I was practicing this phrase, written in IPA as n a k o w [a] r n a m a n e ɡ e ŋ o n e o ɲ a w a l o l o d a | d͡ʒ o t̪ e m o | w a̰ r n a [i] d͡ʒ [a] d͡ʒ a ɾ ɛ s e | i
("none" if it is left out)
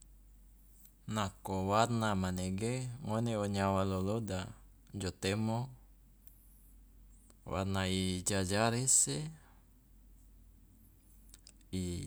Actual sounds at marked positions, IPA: a, i, a

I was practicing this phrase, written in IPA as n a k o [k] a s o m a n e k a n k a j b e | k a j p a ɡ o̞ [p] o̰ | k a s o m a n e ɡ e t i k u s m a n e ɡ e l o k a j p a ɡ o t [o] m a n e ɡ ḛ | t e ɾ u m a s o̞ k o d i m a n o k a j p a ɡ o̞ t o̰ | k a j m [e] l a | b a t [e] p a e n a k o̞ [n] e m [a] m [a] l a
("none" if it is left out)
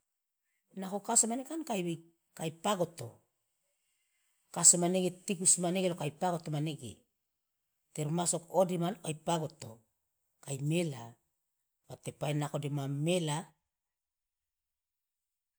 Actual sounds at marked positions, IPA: k, t, o, e, e, d, a, e

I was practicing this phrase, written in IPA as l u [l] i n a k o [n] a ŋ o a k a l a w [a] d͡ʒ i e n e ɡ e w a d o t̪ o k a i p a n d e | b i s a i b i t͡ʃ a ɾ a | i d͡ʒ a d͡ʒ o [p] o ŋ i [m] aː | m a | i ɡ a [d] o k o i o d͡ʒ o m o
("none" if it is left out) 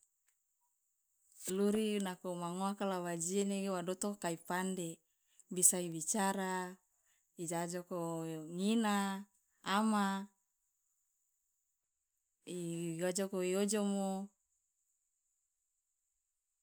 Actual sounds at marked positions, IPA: ɾ, m, a, k, n, d͡ʒ

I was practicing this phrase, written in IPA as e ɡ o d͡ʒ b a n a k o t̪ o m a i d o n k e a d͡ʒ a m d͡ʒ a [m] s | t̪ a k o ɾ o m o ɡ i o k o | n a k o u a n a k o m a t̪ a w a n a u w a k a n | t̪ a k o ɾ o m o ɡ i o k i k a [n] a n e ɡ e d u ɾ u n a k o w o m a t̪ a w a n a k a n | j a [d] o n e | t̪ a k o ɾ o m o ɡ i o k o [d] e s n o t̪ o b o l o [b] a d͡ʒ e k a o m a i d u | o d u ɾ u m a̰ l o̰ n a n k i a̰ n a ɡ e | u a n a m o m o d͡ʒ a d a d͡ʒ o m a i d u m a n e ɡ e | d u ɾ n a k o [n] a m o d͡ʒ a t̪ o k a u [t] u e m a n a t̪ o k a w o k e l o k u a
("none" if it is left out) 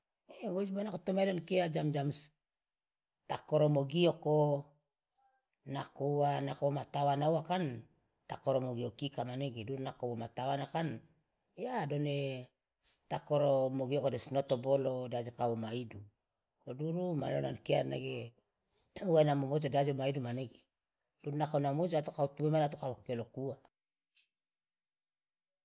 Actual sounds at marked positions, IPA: m, m, d, d, d, n, t

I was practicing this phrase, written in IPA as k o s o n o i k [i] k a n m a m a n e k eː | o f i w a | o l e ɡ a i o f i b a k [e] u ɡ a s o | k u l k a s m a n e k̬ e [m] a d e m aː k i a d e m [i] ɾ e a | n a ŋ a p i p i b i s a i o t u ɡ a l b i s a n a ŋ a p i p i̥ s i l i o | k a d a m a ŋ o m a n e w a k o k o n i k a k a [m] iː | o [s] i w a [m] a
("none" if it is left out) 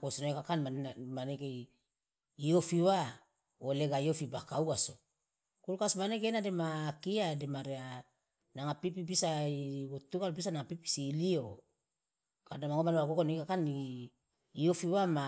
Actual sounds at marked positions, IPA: a, a, n, a, n, f, m

